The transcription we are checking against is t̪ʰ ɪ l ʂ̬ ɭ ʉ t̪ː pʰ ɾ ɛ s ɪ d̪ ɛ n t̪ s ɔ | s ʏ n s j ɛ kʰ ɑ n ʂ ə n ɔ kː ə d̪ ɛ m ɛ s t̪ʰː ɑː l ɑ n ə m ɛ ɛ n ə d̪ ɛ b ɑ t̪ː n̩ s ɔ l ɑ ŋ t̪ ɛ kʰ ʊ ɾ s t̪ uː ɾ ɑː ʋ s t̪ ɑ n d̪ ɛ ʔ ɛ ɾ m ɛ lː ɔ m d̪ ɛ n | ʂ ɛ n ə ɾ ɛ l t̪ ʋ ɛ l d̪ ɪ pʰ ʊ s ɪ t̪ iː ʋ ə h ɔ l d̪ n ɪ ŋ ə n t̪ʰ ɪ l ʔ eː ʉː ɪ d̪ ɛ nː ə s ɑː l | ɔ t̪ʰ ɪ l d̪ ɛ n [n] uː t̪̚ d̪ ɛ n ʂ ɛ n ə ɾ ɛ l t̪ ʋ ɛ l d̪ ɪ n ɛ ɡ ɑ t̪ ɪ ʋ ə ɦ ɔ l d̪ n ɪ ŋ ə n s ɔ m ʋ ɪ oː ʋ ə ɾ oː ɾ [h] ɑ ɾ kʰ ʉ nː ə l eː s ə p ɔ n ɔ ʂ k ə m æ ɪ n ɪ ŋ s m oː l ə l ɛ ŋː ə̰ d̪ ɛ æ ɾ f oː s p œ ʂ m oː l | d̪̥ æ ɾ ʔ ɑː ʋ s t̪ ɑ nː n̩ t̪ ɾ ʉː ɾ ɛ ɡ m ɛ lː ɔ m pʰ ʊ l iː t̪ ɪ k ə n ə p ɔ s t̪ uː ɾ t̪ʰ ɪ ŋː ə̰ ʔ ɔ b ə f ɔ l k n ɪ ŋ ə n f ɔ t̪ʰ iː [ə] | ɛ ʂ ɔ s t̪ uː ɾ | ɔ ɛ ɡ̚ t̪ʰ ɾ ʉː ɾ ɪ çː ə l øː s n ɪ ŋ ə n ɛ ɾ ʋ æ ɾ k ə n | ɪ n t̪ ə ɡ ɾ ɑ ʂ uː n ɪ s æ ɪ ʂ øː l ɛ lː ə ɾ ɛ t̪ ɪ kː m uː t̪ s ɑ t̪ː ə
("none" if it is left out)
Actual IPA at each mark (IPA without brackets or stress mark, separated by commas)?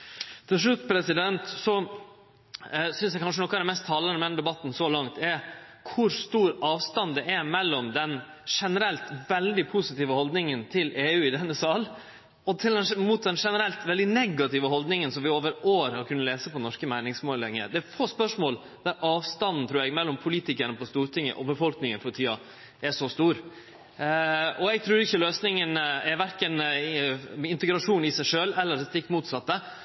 m, h, ɑ